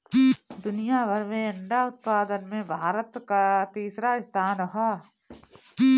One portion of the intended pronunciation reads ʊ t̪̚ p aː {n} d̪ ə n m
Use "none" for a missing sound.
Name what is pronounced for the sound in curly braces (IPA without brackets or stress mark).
none